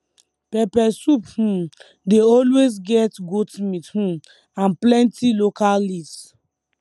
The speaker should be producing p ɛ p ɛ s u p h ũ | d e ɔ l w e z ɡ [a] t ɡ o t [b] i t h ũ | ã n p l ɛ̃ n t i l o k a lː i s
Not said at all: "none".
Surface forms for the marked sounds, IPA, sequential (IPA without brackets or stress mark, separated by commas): ɛ, m